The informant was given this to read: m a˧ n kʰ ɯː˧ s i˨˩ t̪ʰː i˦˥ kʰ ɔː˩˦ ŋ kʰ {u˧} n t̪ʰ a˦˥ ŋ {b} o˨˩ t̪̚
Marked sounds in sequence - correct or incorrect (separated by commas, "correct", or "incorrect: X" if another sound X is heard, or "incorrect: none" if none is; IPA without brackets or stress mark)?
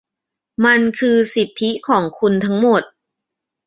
correct, incorrect: m